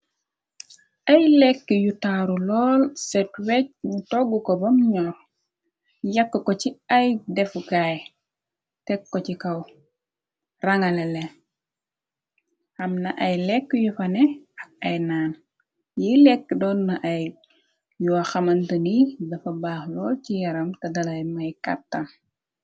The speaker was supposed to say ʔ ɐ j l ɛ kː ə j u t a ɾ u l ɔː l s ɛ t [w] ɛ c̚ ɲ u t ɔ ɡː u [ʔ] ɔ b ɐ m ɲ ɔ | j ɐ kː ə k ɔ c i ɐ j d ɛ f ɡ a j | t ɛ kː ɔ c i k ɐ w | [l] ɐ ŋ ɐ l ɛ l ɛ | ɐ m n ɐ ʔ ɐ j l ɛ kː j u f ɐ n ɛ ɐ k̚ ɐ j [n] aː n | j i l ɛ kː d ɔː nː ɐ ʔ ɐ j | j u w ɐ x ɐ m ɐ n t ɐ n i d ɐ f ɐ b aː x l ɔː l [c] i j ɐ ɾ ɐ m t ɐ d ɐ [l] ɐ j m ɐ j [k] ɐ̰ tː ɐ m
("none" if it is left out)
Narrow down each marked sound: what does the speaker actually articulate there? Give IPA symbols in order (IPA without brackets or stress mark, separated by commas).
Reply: w, k, r, n, c, l, k